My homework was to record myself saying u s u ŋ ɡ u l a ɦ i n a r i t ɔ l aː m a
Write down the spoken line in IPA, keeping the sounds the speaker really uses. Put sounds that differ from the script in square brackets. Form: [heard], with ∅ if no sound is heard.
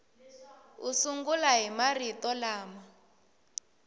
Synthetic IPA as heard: u s u ŋ ɡ u l a ɦ i [m] a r i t ɔ l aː m a